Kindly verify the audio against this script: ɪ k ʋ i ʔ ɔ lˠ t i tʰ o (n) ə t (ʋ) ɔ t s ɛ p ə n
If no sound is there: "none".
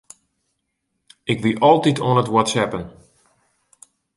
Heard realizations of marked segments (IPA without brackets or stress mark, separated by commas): n, w